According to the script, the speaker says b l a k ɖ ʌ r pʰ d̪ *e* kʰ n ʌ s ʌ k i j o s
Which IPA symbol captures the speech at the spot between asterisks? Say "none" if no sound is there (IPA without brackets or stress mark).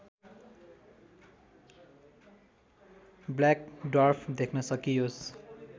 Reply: e